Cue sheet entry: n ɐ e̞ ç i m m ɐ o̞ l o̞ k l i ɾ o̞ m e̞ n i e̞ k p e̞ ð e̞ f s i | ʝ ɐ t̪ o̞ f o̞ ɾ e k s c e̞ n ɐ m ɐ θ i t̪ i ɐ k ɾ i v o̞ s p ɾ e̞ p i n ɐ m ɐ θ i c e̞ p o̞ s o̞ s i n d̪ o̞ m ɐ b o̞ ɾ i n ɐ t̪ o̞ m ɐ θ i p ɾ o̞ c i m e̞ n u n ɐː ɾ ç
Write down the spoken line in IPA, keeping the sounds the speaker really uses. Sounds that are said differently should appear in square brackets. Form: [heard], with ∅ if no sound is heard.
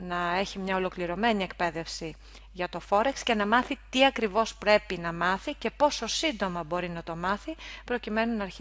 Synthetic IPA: n ɐ e̞ ç i m [ɲ] ɐ o̞ l o̞ k l i ɾ o̞ m e̞ n i e̞ k p e̞ ð e̞ f s i | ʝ ɐ t̪ o̞ f o̞ ɾ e k s c e̞ n ɐ m ɐ θ i t̪ i ɐ k ɾ i v o̞ s p ɾ e̞ p i n ɐ m ɐ θ i c e̞ p o̞ s o̞ s i n d̪ o̞ m ɐ b o̞ ɾ i n ɐ t̪ o̞ m ɐ θ i p ɾ o̞ c i m e̞ n u n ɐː ɾ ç